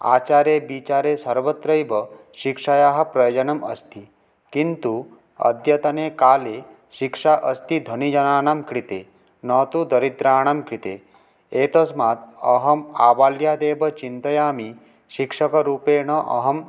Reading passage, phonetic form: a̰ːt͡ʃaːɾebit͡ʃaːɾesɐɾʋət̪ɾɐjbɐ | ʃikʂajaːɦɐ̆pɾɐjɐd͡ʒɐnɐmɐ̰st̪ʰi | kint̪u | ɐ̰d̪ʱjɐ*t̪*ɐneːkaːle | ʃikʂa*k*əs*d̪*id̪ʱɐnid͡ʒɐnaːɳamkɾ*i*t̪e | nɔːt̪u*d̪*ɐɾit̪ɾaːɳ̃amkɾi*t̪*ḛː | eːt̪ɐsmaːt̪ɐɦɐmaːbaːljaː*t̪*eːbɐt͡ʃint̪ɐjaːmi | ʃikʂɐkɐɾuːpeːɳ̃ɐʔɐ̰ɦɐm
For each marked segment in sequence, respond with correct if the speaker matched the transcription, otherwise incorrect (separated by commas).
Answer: correct, incorrect, incorrect, correct, correct, correct, incorrect